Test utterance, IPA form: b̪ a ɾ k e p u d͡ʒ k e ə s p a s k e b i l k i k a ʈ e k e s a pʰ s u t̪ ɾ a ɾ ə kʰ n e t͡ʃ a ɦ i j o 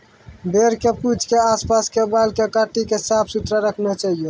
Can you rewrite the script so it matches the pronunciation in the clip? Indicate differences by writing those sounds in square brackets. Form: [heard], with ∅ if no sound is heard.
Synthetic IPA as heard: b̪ [e] ɾ k e p u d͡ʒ k e [a] s p a s k e b [a] l k [e] k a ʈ [i] k e s a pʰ s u t̪ ɾ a ɾ ə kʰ n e t͡ʃ a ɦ i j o